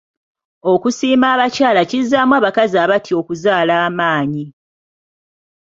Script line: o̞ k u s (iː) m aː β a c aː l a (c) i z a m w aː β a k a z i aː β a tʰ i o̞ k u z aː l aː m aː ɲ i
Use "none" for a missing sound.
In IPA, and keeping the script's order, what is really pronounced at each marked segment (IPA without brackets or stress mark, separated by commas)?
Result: iː, c